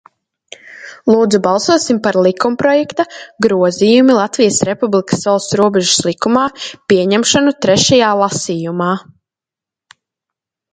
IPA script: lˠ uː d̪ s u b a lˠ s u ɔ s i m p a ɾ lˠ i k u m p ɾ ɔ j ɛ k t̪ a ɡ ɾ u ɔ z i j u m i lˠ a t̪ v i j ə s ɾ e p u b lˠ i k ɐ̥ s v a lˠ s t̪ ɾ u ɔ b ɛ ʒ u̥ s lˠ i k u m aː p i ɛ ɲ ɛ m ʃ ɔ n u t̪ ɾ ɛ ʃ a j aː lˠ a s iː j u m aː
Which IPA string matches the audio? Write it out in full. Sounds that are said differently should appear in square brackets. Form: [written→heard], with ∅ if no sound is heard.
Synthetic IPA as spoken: lˠ uː d̪ [s→z] u b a lˠ s u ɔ s i m p a ɾ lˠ i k u m p ɾ ɔ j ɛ k t̪ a ɡ ɾ u ɔ z i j u m i lˠ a t̪ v i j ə s ɾ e p u b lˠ i k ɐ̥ s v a lˠ s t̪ ɾ u ɔ b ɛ ʒ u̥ s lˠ i k u m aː p i ɛ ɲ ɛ m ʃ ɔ n u t̪ ɾ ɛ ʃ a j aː lˠ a s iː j u m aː